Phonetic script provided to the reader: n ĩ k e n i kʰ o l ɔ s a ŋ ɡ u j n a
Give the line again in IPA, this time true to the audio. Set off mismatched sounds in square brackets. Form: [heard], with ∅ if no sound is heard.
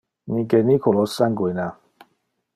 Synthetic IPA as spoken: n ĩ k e n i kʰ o l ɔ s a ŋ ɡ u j n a